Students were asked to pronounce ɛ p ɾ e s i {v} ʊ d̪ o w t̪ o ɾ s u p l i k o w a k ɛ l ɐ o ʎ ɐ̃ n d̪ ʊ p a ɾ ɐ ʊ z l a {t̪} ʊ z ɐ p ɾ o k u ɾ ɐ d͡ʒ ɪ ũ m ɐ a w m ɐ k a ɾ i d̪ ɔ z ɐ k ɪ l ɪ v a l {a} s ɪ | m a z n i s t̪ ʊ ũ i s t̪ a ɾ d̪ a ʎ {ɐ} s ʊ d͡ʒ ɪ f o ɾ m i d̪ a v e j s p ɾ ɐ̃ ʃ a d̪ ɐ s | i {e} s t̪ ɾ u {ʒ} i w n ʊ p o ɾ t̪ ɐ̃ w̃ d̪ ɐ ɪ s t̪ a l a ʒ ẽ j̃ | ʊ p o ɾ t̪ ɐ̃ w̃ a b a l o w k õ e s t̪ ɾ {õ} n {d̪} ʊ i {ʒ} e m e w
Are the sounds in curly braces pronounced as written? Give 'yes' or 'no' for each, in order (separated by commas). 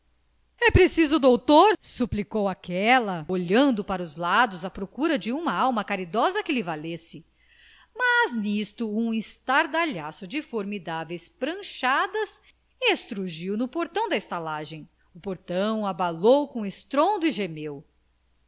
no, no, no, no, yes, yes, yes, yes, yes